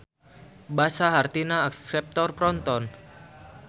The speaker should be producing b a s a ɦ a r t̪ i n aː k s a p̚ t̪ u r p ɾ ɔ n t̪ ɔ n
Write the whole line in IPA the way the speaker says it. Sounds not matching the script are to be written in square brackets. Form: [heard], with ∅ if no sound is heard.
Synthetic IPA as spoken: b a s a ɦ a r t̪ i n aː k s [ɛ] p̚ t̪ [ɔ] r p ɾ ɔ n t̪ ɔ n